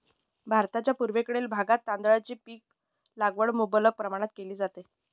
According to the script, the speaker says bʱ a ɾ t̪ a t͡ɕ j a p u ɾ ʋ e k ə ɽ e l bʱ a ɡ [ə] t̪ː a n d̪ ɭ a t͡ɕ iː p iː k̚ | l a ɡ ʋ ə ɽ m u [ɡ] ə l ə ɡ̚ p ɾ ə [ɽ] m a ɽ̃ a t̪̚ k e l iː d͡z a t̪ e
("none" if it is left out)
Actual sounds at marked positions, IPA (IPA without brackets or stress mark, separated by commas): a, b, none